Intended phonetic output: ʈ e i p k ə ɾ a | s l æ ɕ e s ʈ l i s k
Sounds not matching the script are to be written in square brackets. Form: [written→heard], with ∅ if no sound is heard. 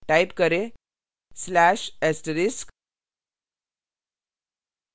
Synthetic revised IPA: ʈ [e→a] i p k ə ɾ [a→e] | s l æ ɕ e s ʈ [l→ɾ] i s k